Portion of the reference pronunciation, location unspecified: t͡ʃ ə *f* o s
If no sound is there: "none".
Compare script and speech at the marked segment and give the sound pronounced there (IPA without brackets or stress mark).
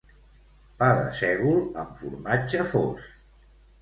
f